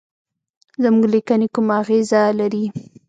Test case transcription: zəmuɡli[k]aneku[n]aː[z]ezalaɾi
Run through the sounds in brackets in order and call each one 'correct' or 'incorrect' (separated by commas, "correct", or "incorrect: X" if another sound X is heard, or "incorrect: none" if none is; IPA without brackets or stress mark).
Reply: correct, incorrect: m, incorrect: ɣ